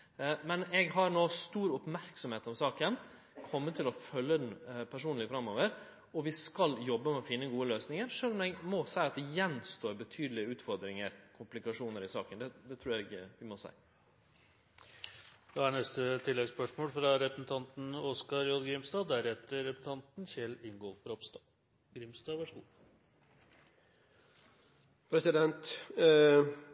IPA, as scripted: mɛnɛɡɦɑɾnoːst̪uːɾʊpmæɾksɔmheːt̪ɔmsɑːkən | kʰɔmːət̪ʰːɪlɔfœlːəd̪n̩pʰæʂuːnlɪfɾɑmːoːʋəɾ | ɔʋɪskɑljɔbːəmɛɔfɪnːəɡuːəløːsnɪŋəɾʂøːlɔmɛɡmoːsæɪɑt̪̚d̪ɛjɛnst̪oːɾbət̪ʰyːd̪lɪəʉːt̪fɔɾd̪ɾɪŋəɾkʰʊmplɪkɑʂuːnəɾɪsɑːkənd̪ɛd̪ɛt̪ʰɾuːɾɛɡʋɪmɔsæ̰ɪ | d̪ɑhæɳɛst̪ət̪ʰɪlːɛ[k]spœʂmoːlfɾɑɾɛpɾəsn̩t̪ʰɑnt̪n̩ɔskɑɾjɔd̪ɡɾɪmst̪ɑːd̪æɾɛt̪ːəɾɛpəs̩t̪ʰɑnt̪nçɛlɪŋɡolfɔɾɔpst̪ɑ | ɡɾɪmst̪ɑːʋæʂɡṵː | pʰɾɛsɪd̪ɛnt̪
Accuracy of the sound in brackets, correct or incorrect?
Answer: incorrect